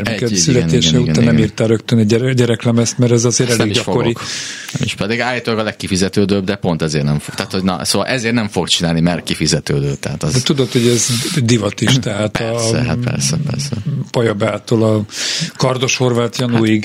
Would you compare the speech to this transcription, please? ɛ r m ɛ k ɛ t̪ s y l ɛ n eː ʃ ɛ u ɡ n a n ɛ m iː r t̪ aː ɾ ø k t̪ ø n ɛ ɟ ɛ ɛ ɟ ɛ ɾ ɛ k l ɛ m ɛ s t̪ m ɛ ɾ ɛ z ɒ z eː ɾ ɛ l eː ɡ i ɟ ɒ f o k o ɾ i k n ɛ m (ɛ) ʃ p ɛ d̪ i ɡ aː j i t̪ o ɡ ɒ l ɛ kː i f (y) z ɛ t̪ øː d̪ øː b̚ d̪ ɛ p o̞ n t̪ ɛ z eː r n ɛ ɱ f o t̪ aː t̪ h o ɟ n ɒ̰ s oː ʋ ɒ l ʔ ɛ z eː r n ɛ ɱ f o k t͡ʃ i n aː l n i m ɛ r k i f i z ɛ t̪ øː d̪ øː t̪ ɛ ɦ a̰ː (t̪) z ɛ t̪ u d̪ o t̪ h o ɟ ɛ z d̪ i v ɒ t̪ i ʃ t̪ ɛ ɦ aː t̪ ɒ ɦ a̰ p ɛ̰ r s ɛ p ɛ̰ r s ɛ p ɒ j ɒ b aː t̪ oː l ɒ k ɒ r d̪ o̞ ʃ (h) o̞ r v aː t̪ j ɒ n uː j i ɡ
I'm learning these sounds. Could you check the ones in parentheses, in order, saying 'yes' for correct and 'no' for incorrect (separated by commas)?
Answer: no, no, yes, yes